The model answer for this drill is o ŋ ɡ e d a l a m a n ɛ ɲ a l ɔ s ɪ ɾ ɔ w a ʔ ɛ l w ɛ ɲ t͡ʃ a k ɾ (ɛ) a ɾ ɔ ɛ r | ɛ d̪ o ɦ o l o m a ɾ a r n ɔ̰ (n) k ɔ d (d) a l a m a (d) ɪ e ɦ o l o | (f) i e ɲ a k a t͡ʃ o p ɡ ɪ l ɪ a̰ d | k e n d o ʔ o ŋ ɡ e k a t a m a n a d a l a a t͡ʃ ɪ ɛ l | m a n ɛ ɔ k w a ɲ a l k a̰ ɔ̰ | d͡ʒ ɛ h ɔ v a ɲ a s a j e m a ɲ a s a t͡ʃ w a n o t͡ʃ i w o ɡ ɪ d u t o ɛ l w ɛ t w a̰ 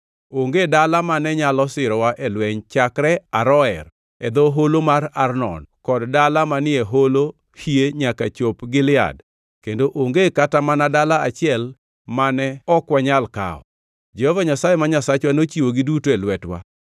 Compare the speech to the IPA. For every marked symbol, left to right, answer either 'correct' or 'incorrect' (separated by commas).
correct, correct, correct, incorrect, incorrect